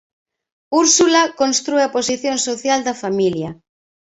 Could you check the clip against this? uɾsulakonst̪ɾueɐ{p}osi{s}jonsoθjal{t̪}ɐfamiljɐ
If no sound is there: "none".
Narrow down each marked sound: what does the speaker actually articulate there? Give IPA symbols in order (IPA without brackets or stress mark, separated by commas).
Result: p, θ, d̪